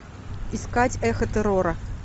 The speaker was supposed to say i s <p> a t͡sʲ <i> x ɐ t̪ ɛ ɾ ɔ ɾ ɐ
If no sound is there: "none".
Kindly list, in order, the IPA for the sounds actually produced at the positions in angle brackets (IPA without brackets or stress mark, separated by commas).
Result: k, ɛ